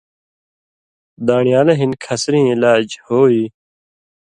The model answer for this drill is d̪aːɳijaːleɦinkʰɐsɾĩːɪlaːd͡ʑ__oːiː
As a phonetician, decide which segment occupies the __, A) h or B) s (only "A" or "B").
A